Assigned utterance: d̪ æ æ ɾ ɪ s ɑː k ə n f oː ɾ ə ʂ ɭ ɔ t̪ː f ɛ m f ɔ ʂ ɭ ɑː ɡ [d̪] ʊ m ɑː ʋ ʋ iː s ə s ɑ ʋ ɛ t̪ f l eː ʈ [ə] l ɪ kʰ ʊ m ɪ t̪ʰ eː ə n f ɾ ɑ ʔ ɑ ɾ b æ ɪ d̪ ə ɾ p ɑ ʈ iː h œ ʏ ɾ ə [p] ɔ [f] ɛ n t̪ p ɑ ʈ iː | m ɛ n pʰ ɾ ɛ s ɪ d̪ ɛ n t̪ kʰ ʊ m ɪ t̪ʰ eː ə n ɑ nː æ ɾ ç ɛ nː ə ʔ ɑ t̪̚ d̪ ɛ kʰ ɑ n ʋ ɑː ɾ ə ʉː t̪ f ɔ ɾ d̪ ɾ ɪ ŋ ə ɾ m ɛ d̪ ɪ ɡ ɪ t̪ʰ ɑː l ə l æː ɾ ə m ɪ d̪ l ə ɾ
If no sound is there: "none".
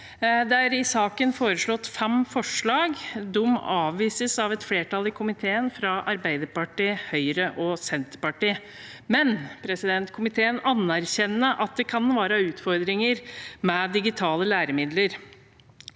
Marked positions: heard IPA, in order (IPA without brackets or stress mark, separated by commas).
d̪, ɑ, ʔ, s